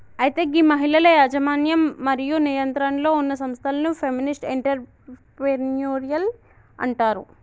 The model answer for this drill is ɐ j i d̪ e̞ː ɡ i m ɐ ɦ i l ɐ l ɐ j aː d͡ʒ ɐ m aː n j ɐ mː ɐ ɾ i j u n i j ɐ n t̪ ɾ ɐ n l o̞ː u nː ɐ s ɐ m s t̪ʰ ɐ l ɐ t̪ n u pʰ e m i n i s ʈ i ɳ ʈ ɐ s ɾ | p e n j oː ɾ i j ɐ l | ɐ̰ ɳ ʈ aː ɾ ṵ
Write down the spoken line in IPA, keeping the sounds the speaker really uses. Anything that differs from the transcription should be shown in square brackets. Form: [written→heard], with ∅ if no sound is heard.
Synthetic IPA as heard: ɐ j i [d̪→t̪] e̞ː ɡ i m ɐ ɦ i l ɐ l ɐ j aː d͡ʒ ɐ m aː n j ɐ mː ɐ ɾ i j u n i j ɐ n t̪ ɾ ɐ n l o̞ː u nː ɐ s ɐ m s t̪ʰ ɐ l ɐ [t̪→∅] n u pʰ e m i n i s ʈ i ɳ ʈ ɐ [s→∅] ɾ | p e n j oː ɾ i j ɐ l | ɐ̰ ɳ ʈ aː ɾ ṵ